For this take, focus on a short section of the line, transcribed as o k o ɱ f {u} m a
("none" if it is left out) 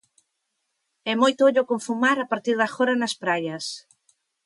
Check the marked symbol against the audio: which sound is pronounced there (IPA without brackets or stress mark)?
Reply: u